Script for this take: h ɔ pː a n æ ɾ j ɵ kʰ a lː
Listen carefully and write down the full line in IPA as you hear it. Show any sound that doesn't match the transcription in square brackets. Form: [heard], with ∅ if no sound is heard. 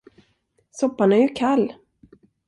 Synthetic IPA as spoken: [s] ɔ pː a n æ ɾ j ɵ kʰ a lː